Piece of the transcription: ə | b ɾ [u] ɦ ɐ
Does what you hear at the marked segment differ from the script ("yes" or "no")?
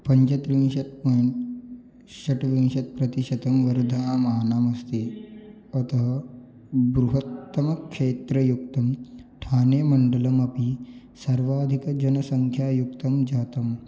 no